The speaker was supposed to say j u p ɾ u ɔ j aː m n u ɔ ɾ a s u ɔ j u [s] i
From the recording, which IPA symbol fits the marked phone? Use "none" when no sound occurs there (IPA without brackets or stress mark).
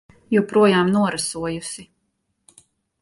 s